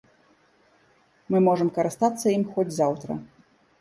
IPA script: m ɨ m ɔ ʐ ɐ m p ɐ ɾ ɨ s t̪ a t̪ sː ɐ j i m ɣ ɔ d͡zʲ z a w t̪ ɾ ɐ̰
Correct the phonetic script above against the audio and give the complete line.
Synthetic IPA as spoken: m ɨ m ɔ ʐ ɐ m k ɐ ɾ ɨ s t̪ a t̪ sː ɐ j i m x ɔ d͡zʲ z a w t̪ ɾ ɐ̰